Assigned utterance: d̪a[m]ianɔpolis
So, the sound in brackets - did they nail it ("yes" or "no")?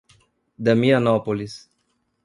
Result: yes